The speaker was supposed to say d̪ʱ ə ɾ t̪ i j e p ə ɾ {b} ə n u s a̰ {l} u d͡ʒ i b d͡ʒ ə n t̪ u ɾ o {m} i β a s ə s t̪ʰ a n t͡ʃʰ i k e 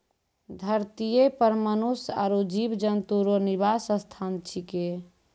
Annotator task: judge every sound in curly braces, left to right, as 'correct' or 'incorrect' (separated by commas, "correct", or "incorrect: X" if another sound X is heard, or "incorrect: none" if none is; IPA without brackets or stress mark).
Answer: incorrect: m, incorrect: ɾ, incorrect: n